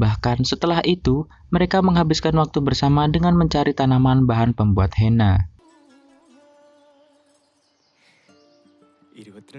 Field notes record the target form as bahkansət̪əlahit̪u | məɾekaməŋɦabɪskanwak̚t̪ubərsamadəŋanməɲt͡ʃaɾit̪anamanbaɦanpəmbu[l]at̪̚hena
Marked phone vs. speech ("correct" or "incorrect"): incorrect